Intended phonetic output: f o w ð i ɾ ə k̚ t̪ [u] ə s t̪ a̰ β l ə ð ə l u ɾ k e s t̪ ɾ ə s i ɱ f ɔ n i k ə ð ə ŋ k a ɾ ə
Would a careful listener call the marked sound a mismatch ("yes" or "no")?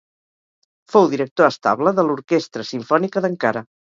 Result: yes